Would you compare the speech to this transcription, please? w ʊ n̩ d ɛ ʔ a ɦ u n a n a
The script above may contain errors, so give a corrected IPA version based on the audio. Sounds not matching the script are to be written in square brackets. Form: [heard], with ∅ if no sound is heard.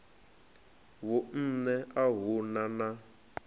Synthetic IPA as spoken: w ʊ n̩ [n] ɛ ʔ a ɦ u n a n a